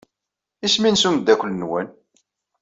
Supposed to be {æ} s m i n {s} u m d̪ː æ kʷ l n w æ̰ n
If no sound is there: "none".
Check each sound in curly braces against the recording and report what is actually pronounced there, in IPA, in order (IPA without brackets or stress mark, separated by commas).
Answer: i, s